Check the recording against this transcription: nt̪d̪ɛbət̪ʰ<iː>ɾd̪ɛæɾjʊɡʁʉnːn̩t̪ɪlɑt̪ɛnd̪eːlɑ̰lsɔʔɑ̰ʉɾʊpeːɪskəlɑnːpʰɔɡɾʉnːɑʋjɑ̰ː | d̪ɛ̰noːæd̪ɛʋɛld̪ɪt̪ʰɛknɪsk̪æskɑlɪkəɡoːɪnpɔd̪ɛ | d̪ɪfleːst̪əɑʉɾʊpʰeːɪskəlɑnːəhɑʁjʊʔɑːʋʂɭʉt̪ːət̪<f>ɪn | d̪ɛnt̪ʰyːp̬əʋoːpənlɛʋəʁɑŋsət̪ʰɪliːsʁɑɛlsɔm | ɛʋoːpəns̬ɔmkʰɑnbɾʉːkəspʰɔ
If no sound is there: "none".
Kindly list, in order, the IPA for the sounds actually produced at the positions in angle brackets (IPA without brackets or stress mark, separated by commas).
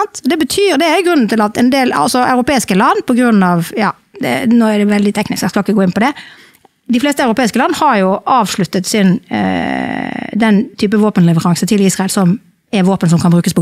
yː, s